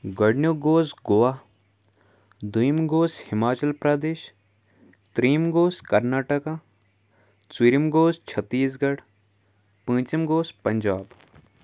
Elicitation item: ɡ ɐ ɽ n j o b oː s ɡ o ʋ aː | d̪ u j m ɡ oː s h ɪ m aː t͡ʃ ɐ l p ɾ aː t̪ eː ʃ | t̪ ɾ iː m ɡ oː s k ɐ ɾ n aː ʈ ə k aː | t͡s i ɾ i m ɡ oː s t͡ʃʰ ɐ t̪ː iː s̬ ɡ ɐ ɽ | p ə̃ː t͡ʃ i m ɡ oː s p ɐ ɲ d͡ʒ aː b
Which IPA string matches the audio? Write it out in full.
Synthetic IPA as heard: ɡ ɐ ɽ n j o ɡ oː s ɡ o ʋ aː | d̪ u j m ɡ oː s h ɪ m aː t͡ʃ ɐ l p ɾ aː d̪ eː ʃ | t̪ ɾ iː m ɡ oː s k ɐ ɾ n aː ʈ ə k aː | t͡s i ɾ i m ɡ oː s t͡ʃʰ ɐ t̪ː iː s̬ ɡ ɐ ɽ | p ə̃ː t͡ʃ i m ɡ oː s p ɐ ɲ d͡ʒ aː b